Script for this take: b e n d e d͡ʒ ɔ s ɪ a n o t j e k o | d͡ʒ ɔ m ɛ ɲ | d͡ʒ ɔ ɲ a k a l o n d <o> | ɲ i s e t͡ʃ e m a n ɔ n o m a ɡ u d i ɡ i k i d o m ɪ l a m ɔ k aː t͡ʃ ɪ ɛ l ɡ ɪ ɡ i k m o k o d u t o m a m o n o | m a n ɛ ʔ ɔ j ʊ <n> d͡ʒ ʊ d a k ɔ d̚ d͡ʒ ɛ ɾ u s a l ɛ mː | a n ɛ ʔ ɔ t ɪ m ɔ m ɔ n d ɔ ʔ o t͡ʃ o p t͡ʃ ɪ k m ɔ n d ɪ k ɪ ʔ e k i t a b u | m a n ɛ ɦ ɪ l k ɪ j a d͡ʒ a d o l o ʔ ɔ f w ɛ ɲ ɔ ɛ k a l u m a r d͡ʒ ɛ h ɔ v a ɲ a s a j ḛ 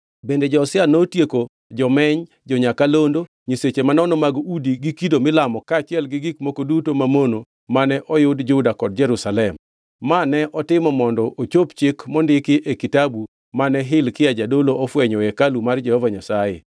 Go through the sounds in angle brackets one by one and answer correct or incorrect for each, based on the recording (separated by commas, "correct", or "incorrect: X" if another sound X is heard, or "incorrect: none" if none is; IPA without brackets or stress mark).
correct, incorrect: d